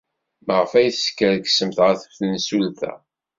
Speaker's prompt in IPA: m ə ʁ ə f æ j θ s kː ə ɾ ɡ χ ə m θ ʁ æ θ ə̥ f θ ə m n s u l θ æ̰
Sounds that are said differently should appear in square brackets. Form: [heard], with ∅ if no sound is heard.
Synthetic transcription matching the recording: m ə ʁ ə f æ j θ s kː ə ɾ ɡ [s] ə m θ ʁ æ θ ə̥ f θ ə [∅] n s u l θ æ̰